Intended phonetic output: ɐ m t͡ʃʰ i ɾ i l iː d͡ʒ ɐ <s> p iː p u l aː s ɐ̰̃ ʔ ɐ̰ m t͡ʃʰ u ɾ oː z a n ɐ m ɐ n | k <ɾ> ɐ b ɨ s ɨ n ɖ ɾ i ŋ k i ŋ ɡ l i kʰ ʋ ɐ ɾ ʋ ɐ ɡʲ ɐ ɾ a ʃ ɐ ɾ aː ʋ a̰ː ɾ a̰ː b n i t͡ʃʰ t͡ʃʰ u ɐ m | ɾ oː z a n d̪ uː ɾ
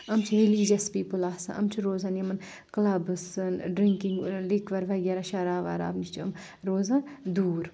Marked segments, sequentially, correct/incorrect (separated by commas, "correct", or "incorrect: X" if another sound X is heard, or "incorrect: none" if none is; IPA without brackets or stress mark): correct, incorrect: l